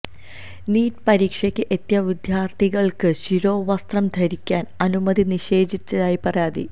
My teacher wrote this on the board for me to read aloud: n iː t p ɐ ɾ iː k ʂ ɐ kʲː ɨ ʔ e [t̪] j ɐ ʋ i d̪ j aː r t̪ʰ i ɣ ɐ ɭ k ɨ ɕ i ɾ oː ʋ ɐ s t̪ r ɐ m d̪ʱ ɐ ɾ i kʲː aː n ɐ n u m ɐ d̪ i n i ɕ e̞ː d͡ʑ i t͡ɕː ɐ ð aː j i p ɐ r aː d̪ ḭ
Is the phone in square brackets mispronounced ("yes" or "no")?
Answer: no